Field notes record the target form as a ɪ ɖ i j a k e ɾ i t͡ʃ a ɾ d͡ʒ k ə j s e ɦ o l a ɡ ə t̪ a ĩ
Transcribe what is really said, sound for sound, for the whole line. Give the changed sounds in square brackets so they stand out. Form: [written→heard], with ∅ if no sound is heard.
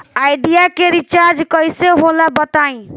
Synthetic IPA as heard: a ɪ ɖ i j a k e ɾ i t͡ʃ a ɾ d͡ʒ k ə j s e ɦ o l a [ɡ→b] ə t̪ a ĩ

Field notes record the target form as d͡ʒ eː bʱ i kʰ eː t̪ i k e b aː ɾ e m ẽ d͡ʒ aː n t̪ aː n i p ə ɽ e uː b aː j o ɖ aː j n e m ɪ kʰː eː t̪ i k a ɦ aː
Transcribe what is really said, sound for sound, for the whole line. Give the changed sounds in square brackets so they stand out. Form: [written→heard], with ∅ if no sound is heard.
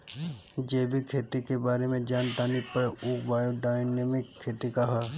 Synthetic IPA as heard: d͡ʒ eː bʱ i kʰ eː t̪ i k e b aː ɾ e m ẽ d͡ʒ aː n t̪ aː n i p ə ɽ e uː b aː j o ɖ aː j n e m ɪ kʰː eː t̪ i k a ɦ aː

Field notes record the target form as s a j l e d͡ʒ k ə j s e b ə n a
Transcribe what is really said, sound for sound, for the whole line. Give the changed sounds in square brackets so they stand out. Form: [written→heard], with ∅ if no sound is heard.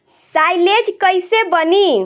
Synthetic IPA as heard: s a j l e d͡ʒ k ə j s e b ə n [a→i]

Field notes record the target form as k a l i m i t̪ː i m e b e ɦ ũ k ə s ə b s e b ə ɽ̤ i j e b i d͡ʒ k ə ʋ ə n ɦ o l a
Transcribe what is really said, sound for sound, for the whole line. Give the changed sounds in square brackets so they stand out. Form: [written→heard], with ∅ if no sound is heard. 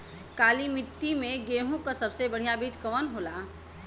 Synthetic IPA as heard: k a l i m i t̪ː i m e [b→ɡ] e ɦ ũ k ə s ə b s e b ə ɽ̤ i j [e→a] b i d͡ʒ k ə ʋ ə n ɦ o l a

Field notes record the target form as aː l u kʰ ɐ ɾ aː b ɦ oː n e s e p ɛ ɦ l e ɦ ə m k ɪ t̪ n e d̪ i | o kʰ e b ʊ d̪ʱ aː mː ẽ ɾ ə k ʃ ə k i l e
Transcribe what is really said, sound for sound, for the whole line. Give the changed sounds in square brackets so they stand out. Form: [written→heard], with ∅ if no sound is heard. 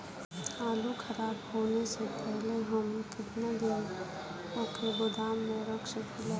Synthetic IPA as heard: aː l u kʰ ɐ ɾ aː b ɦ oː n e s e p ɛ ɦ l e ɦ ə m k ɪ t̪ n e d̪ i | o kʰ e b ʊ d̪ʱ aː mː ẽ ɾ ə k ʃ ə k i l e

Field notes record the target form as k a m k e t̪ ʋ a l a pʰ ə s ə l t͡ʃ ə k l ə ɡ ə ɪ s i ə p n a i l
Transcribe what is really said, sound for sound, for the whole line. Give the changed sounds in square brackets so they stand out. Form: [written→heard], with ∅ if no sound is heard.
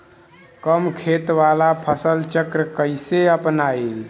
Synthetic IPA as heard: k [a→ə] m [k→kʰ] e t̪ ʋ a l a pʰ ə s ə l t͡ʃ ə k [l→ɾ] ə [ɡ→k] ə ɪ s [i→e] ə p n a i l

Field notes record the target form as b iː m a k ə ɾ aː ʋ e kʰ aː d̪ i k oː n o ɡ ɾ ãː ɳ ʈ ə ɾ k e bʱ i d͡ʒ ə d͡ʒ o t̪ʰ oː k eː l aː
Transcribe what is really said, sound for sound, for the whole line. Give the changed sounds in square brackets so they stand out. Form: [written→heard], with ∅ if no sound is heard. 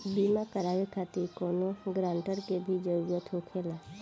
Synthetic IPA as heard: b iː m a k ə ɾ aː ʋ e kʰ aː [d̪→t̪] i k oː n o ɡ ɾ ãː ɳ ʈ ə ɾ k e bʱ i d͡ʒ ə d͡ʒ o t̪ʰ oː [k→kʰ] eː l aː

